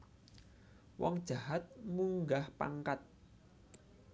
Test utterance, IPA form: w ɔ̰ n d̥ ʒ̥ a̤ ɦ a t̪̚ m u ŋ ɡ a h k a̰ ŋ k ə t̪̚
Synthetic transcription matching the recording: w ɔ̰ ŋ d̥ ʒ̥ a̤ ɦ a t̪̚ m u ŋ ɡ a h p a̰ ŋ k a t̪̚